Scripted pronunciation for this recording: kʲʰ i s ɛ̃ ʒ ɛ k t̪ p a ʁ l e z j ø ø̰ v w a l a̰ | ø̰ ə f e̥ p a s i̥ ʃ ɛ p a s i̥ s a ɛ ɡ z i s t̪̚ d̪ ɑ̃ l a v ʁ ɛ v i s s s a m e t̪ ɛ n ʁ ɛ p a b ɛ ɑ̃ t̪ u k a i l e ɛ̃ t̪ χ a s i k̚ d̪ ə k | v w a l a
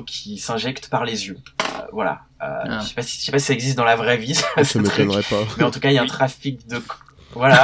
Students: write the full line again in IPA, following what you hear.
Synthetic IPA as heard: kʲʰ i s ɛ̃ ʒ ɛ k t̪ p a ʁ l e z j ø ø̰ v w a l a̰ | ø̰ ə s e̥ p a s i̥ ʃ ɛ p a s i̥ s a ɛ ɡ z i s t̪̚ d̪ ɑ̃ l a v ʁ ɛ v i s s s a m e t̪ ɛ n ʁ ɛ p a m ɛ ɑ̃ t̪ u k a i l a ɛ̃ t̪ χ a f i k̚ d̪ ə k | v w a l a